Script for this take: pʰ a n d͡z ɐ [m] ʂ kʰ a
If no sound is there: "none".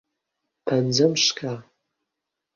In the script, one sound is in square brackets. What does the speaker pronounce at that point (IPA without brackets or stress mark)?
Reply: m